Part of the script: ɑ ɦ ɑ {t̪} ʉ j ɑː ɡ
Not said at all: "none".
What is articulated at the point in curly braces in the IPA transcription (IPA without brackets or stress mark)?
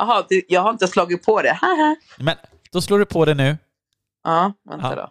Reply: d̪